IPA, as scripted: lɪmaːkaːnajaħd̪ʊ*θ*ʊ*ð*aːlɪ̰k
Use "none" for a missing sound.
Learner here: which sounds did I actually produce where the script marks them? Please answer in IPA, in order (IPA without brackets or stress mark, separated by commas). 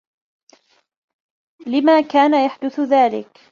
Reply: θ, ð